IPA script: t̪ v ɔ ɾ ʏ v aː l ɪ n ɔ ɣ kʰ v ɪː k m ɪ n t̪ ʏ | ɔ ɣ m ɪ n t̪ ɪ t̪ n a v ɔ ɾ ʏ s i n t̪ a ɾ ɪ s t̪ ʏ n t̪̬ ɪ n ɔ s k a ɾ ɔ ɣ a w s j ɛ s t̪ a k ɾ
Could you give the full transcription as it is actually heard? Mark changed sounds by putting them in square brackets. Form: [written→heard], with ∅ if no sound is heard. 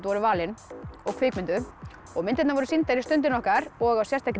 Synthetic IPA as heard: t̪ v ɔ ɾ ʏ v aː l ɪ n ɔ ɣ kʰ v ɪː k m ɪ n t̪ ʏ | ɔ ɣ m ɪ n t̪ ɪ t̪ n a v ɔ ɾ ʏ s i n t̪ a ɾ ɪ s t̪ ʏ n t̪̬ ɪ n ɔ [s→h] k a ɾ ɔ ɣ a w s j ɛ s t̪ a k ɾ